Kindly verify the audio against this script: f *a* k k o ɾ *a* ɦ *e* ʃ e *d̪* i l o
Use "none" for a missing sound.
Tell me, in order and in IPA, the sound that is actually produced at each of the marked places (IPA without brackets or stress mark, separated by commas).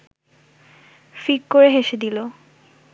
i, e, e, d̪